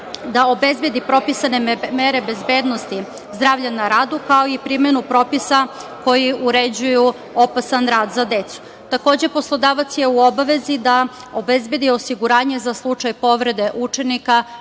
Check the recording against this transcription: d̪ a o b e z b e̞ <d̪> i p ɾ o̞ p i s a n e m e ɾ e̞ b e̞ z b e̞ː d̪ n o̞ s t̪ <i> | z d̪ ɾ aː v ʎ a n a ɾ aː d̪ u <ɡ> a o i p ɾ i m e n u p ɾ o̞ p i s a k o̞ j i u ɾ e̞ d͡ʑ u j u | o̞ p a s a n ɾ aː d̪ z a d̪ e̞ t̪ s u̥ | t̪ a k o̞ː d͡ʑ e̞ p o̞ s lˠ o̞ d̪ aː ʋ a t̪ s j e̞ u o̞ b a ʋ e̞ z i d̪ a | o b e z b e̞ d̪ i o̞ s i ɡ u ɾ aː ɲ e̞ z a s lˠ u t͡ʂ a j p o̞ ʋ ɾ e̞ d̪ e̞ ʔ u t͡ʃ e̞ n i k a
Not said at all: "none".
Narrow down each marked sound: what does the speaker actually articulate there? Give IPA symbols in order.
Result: d̪, i, k

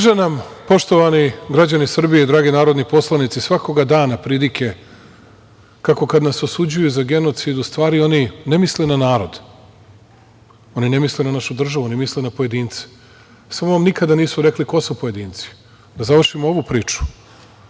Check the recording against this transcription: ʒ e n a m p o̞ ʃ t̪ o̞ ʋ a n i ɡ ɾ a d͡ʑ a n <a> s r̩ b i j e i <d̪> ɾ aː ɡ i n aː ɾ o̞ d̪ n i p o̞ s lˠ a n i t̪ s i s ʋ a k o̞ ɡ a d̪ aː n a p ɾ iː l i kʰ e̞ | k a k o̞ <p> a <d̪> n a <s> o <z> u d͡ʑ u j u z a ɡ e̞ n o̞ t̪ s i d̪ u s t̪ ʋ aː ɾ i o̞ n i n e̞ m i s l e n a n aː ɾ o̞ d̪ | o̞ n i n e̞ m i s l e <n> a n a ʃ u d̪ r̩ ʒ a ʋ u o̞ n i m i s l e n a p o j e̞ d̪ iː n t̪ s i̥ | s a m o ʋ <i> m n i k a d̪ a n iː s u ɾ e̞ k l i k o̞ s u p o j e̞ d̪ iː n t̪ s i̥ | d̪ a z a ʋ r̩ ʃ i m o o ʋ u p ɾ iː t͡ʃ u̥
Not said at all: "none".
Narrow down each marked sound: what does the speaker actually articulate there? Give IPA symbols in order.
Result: i, d̪, k, d̪, s, s, n, a

